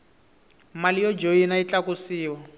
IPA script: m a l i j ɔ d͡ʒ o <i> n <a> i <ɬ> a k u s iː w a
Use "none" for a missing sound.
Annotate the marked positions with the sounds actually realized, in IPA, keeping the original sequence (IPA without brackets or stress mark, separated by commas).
i, a, t͡ɬ